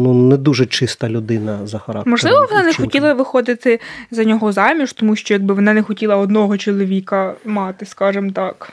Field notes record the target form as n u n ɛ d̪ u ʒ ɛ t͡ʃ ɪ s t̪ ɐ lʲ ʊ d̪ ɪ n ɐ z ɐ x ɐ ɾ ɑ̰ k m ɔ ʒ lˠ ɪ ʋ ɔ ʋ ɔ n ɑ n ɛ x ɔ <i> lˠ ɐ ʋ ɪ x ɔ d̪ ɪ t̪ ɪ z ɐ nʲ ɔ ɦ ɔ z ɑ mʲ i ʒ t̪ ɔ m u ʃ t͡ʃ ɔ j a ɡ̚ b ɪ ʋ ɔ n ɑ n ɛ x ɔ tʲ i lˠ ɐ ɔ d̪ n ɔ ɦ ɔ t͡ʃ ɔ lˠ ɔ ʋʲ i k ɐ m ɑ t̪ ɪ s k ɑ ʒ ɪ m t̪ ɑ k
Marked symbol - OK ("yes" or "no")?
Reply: yes